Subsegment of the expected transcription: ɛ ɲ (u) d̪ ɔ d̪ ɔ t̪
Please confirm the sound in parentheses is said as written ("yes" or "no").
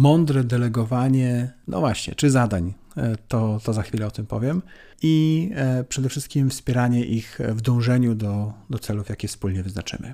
yes